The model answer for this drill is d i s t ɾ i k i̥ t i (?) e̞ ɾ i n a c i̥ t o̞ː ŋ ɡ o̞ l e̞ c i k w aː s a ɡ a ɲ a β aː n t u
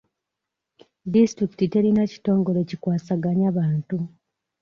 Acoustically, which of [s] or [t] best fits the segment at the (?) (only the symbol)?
t